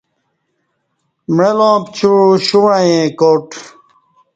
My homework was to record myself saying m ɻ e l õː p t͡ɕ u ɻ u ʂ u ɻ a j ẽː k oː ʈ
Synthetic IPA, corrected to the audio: m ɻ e l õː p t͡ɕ u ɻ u ɕ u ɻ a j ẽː k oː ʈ